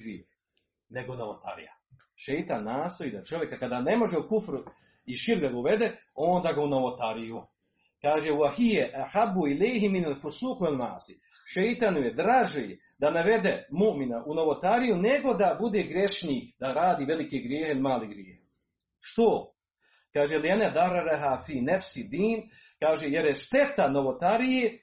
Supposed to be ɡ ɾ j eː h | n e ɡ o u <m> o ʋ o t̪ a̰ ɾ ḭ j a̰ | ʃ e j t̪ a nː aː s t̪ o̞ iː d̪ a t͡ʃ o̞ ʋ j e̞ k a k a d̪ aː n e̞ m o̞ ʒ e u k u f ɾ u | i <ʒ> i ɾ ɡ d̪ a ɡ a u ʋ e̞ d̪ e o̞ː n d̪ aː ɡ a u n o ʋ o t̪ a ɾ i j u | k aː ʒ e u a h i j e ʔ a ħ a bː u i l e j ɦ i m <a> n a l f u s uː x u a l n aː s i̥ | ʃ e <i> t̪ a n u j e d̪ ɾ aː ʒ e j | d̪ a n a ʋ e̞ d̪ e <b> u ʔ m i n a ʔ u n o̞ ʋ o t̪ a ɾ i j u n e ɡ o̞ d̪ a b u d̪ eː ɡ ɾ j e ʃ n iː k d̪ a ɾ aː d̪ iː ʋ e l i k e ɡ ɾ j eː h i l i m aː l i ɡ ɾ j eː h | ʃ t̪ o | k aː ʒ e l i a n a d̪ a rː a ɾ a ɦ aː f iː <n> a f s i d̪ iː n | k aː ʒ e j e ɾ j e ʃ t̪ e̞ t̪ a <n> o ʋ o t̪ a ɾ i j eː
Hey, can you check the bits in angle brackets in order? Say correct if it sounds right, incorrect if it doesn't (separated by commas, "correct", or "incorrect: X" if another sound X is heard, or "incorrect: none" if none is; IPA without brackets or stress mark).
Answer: incorrect: n, incorrect: ʃ, incorrect: i, incorrect: j, incorrect: m, correct, correct